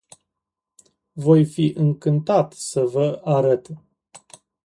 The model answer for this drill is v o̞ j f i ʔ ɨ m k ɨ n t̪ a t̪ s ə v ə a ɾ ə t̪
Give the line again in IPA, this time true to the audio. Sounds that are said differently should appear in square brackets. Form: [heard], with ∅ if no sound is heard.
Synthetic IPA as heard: v o̞ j f i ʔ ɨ [ŋ] k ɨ n t̪ a t̪ s ə v ə a ɾ ə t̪

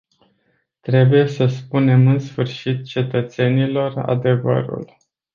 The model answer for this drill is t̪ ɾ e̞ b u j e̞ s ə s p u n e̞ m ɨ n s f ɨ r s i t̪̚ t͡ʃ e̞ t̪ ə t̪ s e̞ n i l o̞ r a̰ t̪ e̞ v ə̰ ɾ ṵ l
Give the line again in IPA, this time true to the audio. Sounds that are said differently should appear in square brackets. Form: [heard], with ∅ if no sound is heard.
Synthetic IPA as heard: t̪ ɾ e̞ b u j e̞ s ə s p u n e̞ m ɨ n s f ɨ r [ʃ] i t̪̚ t͡ʃ e̞ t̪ ə t̪ s e̞ n i l o̞ r a̰ [d̪] e̞ v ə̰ ɾ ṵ l

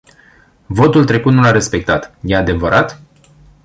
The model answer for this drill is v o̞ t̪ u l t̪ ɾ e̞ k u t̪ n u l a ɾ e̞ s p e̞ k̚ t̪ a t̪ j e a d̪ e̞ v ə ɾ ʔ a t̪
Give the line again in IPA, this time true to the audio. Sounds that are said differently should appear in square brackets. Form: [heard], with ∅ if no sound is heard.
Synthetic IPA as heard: v o̞ t̪ u l t̪ ɾ e̞ k u t̪ n u l a ɾ e̞ s p e̞ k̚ t̪ a t̪ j e a d̪ e̞ v ə ɾ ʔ a t̪

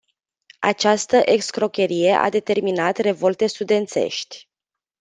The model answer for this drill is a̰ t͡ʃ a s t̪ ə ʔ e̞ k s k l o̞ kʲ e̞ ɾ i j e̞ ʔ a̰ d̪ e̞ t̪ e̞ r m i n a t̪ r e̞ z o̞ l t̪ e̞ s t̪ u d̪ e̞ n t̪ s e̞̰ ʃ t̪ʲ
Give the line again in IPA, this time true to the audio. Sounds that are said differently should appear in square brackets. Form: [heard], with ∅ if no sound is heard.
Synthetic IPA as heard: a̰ t͡ʃ a s t̪ ə ʔ e̞ k s k [ɾ] o̞ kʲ e̞ ɾ i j e̞ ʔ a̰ d̪ e̞ t̪ e̞ r m i n a t̪ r e̞ [v] o̞ l t̪ e̞ s t̪ u d̪ e̞ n t̪ s e̞̰ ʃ t̪ʲ

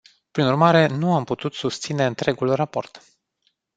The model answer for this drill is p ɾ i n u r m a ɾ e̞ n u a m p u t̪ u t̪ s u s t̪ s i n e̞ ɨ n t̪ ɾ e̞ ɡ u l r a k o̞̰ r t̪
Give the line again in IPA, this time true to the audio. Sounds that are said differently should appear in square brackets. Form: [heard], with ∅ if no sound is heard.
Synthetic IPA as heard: p ɾ i n u r m a ɾ e̞ n u a m p u t̪ u t̪ s u s t̪ s i n e̞ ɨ n t̪ ɾ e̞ ɡ u l r a [p] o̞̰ r t̪

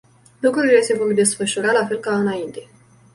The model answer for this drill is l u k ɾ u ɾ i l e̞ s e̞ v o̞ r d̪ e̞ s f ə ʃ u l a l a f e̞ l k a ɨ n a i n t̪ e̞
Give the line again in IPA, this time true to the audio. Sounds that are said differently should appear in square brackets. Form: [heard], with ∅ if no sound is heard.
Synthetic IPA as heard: l u k ɾ u ɾ i l e̞ s e̞ v o̞ r d̪ e̞ s f ə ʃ u [ɾ] a l a f e̞ l k a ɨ n a i n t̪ e̞

